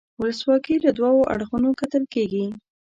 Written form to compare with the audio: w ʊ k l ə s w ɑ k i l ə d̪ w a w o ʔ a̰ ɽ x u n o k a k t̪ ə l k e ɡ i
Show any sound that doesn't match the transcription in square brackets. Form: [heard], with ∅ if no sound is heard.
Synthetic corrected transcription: w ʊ [∅] l ə s w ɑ k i l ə d̪ w [ɑ] w o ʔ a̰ ɽ x u n o k a [∅] t̪ ə l k e ɡ i